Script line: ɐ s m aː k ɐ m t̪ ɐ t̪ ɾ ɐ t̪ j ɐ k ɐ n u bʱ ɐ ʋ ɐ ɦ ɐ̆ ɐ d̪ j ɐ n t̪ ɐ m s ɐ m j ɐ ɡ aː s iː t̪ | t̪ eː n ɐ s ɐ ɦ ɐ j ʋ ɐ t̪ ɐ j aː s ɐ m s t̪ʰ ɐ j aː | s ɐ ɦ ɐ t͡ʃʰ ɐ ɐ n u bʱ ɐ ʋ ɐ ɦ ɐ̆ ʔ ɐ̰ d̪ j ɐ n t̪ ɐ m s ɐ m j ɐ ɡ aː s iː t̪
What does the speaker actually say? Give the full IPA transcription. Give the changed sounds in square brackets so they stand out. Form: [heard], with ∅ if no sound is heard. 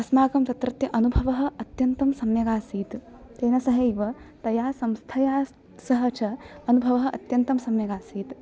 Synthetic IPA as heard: ɐ s m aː k ɐ m t̪ ɐ t̪ ɾ ɐ t̪ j ɐ [ʔ] ɐ n u bʱ ɐ ʋ ɐ ɦ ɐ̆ ɐ [t̪] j ɐ n t̪ ɐ m s ɐ m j ɐ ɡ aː s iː t̪ | t̪ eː n ɐ s ɐ ɦ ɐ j ʋ ɐ t̪ ɐ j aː s ɐ m s t̪ʰ ɐ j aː | s ɐ ɦ ɐ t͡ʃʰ ɐ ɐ n u bʱ ɐ ʋ ɐ ɦ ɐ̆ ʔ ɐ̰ [t̪] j ɐ n t̪ ɐ m s ɐ m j ɐ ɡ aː s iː t̪

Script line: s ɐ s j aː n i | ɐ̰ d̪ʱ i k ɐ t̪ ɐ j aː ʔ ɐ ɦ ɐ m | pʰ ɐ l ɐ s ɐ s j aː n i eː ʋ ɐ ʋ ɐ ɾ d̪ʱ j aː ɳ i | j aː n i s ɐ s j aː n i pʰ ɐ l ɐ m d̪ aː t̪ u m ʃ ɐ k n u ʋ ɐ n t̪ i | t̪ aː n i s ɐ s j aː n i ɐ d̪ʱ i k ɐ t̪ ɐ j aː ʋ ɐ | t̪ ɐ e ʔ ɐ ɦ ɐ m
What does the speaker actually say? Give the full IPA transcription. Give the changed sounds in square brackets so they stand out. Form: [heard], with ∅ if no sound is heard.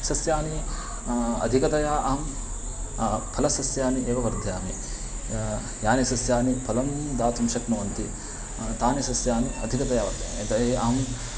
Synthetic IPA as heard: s ɐ s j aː n i | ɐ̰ d̪ʱ i k ɐ t̪ ɐ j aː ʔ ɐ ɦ ɐ m | pʰ ɐ l ɐ s ɐ s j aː n i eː ʋ ɐ ʋ ɐ ɾ d̪ʱ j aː [m] i | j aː n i s ɐ s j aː n i pʰ ɐ l ɐ m d̪ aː t̪ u m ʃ ɐ k n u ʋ ɐ n t̪ i | t̪ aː n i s ɐ s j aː n i ɐ d̪ʱ i k ɐ t̪ ɐ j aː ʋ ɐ | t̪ ɐ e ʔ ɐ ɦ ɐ m

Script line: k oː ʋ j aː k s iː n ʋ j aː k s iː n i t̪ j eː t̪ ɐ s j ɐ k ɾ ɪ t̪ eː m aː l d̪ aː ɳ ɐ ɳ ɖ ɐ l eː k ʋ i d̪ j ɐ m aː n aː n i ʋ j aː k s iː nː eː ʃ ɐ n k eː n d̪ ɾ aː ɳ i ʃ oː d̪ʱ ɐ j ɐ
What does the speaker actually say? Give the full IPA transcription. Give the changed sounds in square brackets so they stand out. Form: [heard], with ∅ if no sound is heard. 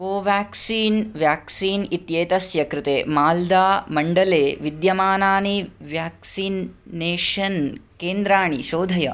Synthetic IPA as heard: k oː ʋ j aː k s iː n ʋ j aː k s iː n i t̪ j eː t̪ ɐ s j ɐ k ɾ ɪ t̪ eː m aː l d̪ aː [m] ɐ ɳ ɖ ɐ l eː [∅] ʋ i d̪ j ɐ m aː n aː n i ʋ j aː k s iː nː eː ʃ ɐ n k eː n d̪ ɾ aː ɳ i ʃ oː d̪ʱ ɐ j ɐ

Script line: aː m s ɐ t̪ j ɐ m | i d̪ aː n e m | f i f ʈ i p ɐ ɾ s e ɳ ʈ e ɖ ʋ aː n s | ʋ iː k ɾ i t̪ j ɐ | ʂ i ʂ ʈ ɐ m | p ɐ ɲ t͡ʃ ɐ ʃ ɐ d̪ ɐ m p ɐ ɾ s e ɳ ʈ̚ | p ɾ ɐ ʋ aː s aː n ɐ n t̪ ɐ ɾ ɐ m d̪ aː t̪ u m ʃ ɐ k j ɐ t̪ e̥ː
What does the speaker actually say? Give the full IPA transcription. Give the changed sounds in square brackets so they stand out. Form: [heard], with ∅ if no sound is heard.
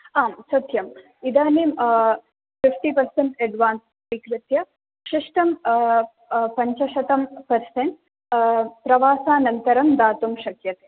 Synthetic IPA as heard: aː m s ɐ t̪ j ɐ m | i d̪ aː n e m | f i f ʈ i p ɐ ɾ s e ɳ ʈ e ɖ ʋ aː n s | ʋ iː k ɾ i t̪ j ɐ | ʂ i ʂ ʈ ɐ m | p ɐ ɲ t͡ʃ ɐ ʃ ɐ [t̪] ɐ m p ɐ ɾ s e ɳ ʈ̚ | p ɾ ɐ ʋ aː s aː n ɐ n t̪ ɐ ɾ ɐ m d̪ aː t̪ u m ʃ ɐ k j ɐ t̪ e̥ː

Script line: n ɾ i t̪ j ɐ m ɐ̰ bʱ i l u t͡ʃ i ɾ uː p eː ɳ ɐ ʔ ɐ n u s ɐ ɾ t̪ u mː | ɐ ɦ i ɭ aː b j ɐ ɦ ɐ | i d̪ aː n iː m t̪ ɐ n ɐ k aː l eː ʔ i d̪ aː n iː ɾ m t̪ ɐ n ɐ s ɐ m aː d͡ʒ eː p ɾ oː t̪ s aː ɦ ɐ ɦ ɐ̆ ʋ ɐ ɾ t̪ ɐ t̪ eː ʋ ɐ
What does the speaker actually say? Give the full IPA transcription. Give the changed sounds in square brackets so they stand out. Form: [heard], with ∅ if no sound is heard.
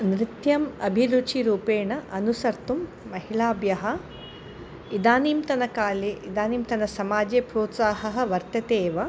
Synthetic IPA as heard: n ɾ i t̪ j ɐ m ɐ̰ bʱ i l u t͡ʃ i ɾ uː p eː ɳ ɐ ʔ ɐ n u s ɐ ɾ t̪ u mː | ɐ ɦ i ɭ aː b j ɐ ɦ ɐ | i d̪ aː n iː m t̪ ɐ n ɐ k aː l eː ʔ i d̪ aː n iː [∅] m t̪ ɐ n ɐ s ɐ m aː d͡ʒ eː p ɾ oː t̪ s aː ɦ ɐ ɦ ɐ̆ ʋ ɐ ɾ t̪ ɐ t̪ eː ʋ ɐ

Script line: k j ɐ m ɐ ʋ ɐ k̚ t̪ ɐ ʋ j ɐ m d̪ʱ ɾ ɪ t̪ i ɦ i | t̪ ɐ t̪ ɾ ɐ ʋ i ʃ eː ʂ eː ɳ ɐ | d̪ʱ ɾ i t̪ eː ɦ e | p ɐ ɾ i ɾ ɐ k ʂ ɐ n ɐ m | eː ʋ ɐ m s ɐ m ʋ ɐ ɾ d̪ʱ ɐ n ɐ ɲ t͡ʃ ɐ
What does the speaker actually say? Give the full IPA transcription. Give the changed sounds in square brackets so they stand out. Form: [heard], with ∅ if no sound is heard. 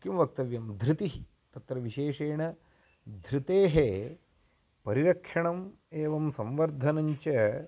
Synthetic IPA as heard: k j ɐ m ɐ ʋ ɐ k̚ t̪ ɐ ʋ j ɐ m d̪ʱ ɾ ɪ t̪ i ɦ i | t̪ ɐ t̪ ɾ ɐ ʋ i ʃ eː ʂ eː ɳ ɐ | d̪ʱ ɾ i t̪ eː ɦ e | p ɐ ɾ i ɾ ɐ k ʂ ɐ [ɳ] ɐ m | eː ʋ ɐ m s ɐ m ʋ ɐ ɾ d̪ʱ ɐ n ɐ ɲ t͡ʃ ɐ

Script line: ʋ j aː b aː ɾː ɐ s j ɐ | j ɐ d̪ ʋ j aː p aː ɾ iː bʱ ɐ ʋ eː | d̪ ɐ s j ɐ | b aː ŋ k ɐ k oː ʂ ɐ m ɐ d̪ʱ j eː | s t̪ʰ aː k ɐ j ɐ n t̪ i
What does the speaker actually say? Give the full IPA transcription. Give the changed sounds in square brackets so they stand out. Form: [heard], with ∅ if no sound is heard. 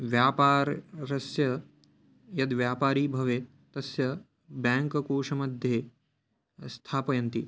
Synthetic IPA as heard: ʋ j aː [p] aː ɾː ɐ s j ɐ | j ɐ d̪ ʋ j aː p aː ɾ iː bʱ ɐ ʋ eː | [t̪] ɐ s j ɐ | b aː ŋ k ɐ k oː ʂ ɐ m ɐ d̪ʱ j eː | s t̪ʰ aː [p] ɐ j ɐ n t̪ i

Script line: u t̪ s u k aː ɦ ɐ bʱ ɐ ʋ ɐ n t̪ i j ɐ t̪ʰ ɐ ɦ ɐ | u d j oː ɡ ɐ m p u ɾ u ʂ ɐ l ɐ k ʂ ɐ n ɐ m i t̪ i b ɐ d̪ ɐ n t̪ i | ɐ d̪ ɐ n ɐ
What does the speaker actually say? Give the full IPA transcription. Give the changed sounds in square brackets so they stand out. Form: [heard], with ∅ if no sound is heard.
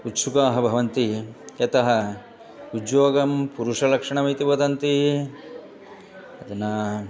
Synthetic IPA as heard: u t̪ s u k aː ɦ ɐ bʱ ɐ ʋ ɐ n t̪ i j ɐ [t̪] ɐ ɦ ɐ | u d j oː ɡ ɐ m p u ɾ u ʂ ɐ l ɐ k ʂ ɐ [ɳ] ɐ m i t̪ i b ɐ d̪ ɐ n t̪ i | ɐ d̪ ɐ n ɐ

